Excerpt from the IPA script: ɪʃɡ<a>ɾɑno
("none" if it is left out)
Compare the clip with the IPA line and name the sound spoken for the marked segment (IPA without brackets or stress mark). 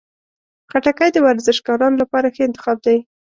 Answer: ɑ